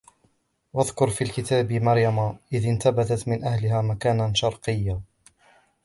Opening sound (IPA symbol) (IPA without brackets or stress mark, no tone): w